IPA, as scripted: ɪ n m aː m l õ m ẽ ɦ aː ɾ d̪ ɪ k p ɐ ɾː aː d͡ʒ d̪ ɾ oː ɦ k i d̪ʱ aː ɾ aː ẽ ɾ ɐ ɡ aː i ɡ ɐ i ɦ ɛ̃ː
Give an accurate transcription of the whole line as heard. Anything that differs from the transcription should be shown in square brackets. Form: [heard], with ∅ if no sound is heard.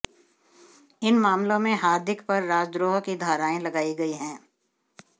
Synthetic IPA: ɪ n m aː m l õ m ẽ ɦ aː ɾ d̪ ɪ k p ɐ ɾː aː d͡ʒ d̪ ɾ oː ɦ k i d̪ʱ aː ɾ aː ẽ [l] ɐ ɡ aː i ɡ ɐ i ɦ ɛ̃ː

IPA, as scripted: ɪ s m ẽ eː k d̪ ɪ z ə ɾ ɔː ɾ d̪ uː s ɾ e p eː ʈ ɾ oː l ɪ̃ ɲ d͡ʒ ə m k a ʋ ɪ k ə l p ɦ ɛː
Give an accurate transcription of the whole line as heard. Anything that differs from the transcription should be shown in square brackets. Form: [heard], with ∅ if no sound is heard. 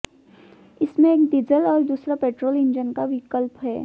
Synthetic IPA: ɪ s m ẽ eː k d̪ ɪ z ə [l] ɔː ɾ d̪ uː s ɾ [a] p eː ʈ ɾ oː l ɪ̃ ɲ d͡ʒ ə [n] k a ʋ ɪ k ə l p ɦ ɛː

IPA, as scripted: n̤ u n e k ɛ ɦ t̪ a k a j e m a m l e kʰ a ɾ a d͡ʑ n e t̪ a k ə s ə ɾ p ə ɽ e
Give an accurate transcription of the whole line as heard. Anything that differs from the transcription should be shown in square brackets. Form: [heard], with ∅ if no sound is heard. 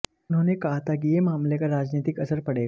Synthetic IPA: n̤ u n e k [a] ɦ t̪ a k [i] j e m a m l e [k] a ɾ a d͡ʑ n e t̪ [i] k ə s ə ɾ p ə ɽ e

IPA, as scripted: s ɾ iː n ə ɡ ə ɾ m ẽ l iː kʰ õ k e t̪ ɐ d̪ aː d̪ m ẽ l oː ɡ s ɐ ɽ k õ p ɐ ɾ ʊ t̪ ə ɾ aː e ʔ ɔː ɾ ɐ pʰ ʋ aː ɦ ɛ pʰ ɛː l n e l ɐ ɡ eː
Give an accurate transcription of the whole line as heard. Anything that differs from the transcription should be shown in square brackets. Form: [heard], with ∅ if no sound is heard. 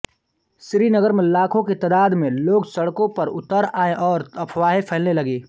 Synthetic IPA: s ɾ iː n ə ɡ ə ɾ m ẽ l [aː] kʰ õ k e t̪ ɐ d̪ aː d̪ m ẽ l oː ɡ s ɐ ɽ k õ p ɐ ɾ ʊ t̪ ə ɾ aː e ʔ ɔː ɾ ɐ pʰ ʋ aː ɦ [e] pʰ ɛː l n e l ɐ ɡ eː

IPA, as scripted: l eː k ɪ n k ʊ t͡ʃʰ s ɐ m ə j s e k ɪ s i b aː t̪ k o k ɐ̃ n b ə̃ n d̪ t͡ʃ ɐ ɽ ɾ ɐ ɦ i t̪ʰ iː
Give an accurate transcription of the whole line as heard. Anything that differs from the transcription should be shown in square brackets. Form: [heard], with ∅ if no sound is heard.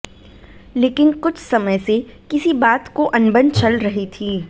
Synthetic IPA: l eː k ɪ n k ʊ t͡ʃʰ s ɐ m ə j s e k ɪ s i b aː t̪ k o [ʔ] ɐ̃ n b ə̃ n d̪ t͡ʃ ɐ [l] ɾ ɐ ɦ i t̪ʰ iː

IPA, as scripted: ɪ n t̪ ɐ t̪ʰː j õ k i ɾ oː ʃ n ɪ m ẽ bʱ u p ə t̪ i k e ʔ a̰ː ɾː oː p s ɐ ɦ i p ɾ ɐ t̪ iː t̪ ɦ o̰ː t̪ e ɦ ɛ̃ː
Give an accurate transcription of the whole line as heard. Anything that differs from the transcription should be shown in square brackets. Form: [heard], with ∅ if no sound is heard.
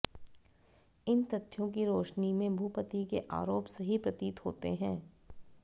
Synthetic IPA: ɪ n t̪ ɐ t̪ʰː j õ k i ɾ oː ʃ n [i] m ẽ bʱ u p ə t̪ i k e ʔ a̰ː [ɾ] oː p s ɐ ɦ i p ɾ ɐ t̪ iː t̪ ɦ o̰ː t̪ e ɦ ɛ̃ː

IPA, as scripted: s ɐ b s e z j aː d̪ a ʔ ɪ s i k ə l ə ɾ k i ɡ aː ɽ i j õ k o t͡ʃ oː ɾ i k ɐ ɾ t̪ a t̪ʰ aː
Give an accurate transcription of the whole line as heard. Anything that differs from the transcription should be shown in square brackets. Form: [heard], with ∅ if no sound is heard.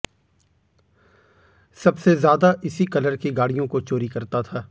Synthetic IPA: s ɐ b s e z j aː d̪ a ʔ ɪ s i k [ɐ] l ə ɾ k i ɡ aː ɽ i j õ k o t͡ʃ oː ɾ i k ɐ ɾ t̪ a t̪ʰ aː

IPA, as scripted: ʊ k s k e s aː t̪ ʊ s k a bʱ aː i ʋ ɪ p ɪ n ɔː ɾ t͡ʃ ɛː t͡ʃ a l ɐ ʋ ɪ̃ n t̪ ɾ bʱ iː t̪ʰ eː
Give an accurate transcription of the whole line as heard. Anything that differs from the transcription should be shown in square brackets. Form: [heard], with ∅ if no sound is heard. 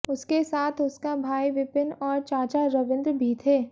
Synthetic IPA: ʊ [∅] s k e s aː [t̪ʰ] ʊ s k a bʱ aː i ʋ ɪ p ɪ n ɔː ɾ t͡ʃ [aː] t͡ʃ a [ɾ] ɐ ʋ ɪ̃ n [d̪] ɾ bʱ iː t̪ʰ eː

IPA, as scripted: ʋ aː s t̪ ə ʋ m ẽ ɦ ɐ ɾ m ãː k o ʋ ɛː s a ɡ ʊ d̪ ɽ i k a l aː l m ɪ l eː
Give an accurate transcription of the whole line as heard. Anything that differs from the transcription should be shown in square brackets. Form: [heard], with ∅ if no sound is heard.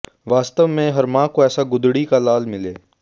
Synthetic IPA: ʋ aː s t̪ ə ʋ m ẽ ɦ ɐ ɾ m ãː k o [∅] ɛː s a ɡ ʊ d̪ ɽ i k a l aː l m ɪ l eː

